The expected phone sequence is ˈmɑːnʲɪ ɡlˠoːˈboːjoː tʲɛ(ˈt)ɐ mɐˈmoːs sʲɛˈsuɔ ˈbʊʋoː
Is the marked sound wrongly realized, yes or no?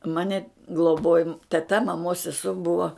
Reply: no